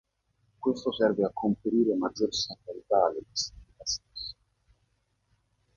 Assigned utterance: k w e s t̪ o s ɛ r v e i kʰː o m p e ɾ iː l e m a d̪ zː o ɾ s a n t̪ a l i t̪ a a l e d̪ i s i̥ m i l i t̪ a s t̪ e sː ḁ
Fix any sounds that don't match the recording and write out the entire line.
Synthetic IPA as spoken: k w e s t̪ o s ɛ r v e a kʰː o m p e ɾ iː ɾ e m a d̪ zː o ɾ s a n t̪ a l i t̪ a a l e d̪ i s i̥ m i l i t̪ a s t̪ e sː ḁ